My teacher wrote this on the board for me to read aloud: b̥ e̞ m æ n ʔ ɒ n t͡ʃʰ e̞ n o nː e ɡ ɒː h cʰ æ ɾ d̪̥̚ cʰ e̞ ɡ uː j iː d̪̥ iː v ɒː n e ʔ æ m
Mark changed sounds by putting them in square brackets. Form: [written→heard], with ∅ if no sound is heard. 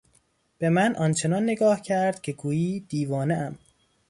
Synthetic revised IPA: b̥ e̞ m æ n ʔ ɒ n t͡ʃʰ e̞ n [o→ɒ] nː e ɡ ɒː h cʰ æ ɾ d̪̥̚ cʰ e̞ ɡ uː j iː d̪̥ iː v ɒː n e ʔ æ m

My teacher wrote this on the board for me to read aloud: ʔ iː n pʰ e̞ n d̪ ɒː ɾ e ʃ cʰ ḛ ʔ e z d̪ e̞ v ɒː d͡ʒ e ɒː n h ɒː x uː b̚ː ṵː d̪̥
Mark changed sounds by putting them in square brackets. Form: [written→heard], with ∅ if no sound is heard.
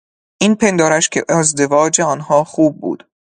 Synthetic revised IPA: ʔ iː n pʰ e̞ n d̪ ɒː ɾ [e→æ] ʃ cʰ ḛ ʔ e z d̪ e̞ v ɒː d͡ʒ e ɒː n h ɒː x uː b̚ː ṵː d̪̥

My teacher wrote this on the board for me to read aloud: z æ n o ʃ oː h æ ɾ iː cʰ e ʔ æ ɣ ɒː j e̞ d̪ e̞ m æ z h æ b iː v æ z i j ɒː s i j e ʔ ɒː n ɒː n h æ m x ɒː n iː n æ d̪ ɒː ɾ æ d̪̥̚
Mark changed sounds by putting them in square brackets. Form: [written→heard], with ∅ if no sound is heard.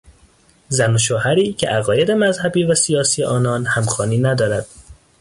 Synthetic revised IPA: z æ n o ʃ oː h æ ɾ iː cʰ e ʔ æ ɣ ɒː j e̞ d̪ e̞ m æ z h æ b iː v æ [z→s] i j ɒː s i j e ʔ ɒː n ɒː n h æ m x ɒː n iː n æ d̪ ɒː ɾ æ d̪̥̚

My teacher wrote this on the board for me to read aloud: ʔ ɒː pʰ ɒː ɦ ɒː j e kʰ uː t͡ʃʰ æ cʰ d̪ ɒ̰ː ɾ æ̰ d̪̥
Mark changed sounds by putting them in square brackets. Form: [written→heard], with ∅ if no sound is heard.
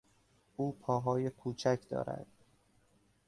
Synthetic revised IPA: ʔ [ɒː→uː] pʰ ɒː ɦ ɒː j e kʰ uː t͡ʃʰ æ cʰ d̪ ɒ̰ː ɾ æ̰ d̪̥

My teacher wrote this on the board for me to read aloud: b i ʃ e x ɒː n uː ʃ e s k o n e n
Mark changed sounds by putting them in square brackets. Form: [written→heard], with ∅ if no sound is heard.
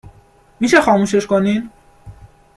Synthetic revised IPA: [b→m] i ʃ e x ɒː [n→m] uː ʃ e [s→ʃ] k o n [e→i] n

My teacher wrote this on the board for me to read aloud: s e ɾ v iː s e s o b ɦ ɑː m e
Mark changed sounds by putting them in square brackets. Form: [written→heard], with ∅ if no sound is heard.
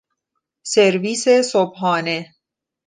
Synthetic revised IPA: s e ɾ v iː s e s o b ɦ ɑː [m→n] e

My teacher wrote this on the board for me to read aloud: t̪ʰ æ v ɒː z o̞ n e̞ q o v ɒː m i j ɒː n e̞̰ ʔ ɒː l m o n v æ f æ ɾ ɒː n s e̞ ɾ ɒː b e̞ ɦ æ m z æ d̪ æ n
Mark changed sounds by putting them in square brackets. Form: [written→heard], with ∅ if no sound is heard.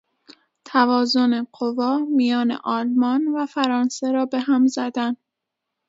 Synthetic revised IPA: t̪ʰ æ v ɒː z o̞ n e̞ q o v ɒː m i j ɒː n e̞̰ ʔ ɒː l m [o→ɒ] n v æ f æ ɾ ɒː n s e̞ ɾ ɒː b e̞ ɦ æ m z æ d̪ æ n

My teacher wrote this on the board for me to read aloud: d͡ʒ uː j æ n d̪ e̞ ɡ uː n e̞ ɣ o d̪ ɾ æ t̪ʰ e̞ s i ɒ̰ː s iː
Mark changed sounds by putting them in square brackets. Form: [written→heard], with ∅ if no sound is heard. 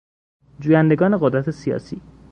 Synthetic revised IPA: d͡ʒ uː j æ n d̪ e̞ ɡ [uː→ɒː] n e̞ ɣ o d̪ ɾ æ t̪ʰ e̞ s i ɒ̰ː s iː

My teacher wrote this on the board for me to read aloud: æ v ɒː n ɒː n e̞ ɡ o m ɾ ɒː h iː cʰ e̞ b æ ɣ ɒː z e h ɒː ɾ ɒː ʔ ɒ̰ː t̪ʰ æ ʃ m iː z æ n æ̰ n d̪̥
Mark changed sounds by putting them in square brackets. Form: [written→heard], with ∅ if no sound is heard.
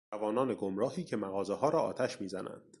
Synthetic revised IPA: æ v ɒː n ɒː n e̞ ɡ o m ɾ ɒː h iː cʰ e̞ [b→m] æ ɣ ɒː z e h ɒː ɾ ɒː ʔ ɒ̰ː t̪ʰ æ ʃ m iː z æ n æ̰ n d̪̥

